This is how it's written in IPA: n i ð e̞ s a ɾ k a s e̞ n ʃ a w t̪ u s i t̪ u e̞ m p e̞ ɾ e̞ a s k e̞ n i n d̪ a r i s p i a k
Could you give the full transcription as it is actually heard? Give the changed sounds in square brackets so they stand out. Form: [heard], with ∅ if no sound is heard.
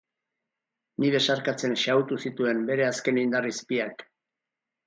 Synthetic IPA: n i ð e̞ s a ɾ k a [t͡s] e̞ n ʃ a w t̪ u s i t̪ u e̞ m [b] e̞ ɾ e̞ a s k e̞ n i n d̪ a r i s p i a k